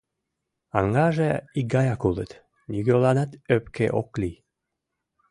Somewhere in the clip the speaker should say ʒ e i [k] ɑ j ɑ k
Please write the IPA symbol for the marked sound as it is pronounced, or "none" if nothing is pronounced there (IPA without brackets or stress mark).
ɡ